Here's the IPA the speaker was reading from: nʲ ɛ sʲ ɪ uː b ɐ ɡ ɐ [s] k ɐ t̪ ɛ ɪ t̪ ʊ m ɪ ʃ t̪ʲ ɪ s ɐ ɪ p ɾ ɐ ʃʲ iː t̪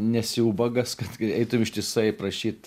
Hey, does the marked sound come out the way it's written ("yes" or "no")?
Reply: yes